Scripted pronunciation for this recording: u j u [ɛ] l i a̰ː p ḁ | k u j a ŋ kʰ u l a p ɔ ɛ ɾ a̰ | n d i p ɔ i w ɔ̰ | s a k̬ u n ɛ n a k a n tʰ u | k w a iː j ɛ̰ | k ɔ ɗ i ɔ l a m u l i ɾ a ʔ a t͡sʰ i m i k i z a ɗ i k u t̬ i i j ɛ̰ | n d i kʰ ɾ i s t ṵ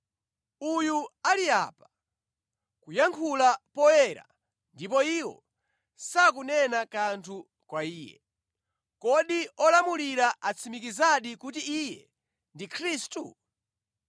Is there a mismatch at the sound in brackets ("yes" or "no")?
yes